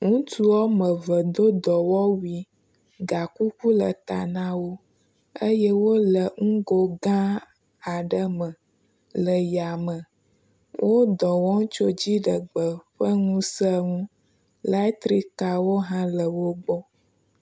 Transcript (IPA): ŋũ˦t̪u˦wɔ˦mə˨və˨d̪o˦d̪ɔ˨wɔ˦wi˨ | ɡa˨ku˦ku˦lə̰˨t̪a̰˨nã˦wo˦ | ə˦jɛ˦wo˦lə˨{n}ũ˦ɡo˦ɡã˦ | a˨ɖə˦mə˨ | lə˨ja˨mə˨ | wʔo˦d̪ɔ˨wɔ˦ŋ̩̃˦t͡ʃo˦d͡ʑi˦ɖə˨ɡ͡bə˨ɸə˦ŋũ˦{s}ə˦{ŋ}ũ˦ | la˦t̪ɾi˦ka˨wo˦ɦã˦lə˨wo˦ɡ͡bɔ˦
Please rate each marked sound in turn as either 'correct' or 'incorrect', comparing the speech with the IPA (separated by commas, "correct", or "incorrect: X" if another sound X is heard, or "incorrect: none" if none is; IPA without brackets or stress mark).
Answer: incorrect: ŋ, correct, correct